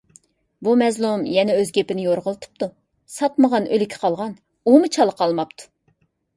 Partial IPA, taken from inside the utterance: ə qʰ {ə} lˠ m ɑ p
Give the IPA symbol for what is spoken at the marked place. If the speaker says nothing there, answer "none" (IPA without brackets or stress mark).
ɑ